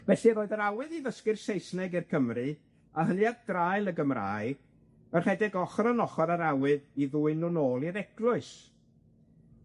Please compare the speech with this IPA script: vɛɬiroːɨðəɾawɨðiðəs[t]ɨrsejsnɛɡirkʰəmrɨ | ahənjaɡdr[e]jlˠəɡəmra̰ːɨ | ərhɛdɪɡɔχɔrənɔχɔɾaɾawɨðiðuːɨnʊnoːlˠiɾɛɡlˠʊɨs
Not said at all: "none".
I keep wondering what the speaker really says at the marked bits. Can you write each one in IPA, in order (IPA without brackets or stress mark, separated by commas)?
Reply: k, a